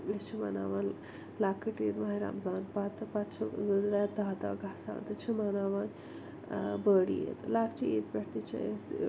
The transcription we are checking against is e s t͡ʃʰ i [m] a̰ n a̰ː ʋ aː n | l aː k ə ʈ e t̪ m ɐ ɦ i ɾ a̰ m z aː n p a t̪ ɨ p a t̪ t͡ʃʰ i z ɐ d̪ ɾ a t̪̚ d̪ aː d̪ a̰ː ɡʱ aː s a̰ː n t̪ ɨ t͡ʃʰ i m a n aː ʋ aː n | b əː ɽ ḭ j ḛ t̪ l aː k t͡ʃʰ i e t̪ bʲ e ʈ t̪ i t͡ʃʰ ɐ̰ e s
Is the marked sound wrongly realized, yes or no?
no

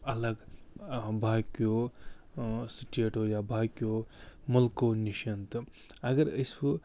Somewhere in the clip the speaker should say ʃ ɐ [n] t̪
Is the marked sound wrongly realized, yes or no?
no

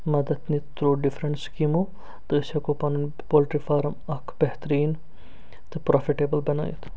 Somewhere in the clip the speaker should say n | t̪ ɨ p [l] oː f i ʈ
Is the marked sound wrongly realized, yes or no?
yes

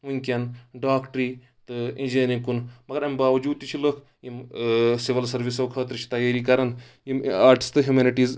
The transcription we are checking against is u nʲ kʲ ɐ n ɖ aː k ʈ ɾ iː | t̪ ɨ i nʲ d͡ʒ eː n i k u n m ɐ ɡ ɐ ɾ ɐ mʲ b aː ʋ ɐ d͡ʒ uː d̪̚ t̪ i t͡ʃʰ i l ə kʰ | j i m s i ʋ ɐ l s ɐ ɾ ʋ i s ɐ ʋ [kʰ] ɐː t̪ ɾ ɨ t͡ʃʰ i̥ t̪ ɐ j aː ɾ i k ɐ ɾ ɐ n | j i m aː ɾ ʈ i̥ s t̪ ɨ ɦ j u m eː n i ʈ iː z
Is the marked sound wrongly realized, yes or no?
no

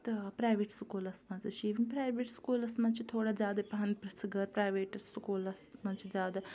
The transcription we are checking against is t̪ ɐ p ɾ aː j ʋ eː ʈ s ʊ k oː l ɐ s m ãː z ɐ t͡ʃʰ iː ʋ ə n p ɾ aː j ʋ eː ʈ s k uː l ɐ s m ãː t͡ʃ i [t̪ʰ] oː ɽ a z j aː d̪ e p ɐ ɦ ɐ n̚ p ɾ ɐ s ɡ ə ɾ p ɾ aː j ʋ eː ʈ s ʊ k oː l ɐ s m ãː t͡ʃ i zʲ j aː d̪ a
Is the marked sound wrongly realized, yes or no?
no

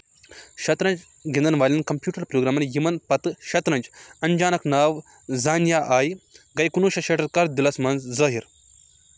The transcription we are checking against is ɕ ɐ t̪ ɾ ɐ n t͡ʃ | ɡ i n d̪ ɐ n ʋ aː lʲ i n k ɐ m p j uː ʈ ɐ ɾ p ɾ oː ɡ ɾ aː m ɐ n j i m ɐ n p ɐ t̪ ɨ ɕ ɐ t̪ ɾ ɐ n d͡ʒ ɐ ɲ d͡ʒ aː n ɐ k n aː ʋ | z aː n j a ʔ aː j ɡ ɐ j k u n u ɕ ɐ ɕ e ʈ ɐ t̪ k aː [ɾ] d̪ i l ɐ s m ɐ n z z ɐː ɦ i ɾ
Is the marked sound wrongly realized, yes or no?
no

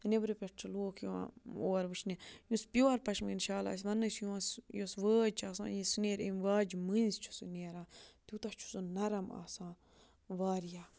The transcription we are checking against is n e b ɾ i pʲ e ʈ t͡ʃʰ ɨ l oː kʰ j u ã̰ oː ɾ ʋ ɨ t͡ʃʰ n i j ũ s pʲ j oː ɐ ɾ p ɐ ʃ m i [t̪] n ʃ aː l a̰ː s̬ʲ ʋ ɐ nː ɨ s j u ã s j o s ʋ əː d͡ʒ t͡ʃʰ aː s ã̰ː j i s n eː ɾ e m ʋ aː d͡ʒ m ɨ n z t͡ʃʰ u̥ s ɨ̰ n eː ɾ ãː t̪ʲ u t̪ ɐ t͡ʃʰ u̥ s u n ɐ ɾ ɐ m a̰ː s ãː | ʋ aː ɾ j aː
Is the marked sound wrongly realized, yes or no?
yes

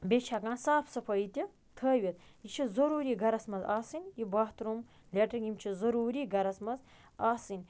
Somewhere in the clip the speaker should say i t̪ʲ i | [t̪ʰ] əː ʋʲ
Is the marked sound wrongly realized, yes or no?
no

